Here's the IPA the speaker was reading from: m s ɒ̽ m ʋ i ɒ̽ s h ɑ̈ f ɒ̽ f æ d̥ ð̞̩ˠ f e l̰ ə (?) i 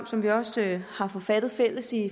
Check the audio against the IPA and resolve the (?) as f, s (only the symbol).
s